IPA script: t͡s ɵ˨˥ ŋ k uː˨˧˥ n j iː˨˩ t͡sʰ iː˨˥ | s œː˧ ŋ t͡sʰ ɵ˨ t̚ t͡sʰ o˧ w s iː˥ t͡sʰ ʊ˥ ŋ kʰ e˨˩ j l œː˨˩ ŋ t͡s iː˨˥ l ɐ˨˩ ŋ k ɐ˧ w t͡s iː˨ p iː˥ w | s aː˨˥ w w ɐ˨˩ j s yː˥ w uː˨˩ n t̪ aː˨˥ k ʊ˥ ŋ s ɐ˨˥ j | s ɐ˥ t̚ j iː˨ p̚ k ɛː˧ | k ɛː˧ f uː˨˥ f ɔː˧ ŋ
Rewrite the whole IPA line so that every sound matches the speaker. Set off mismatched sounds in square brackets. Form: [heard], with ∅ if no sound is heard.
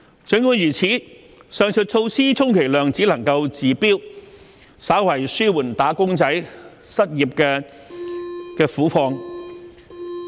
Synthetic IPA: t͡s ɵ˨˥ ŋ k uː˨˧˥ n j [yː˨˩] t͡sʰ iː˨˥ | s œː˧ ŋ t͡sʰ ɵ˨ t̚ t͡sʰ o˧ w s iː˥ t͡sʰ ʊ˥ ŋ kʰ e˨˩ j l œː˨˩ ŋ t͡s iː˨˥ l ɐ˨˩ ŋ k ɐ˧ w t͡s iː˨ p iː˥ w | s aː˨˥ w w ɐ˨˩ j s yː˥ w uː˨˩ n t̪ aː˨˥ k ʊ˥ ŋ [t͡s] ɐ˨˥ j | s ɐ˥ t̚ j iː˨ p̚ k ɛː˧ | k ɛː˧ f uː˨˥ f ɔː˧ ŋ